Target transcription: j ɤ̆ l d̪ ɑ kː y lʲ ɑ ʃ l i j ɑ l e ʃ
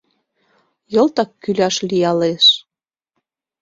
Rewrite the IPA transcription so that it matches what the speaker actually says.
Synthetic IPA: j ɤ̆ l t̪ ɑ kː y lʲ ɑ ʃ l i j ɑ l e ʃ